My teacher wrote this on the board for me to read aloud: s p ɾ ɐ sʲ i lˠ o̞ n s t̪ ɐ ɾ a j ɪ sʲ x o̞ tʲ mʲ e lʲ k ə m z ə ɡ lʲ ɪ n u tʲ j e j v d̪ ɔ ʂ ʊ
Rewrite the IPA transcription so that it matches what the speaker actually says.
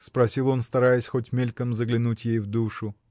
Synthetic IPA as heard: s p ɾ ɐ sʲ i lˠ o̞ n s t̪ ɐ ɾ a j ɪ sʲ x o̞ tʲ mʲ e lʲ k ə m z ə ɡ lʲ ɪ n u tʲ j e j v d̪ u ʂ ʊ